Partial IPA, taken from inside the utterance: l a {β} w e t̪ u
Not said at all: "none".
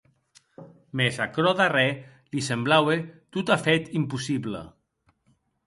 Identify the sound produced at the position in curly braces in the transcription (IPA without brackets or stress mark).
none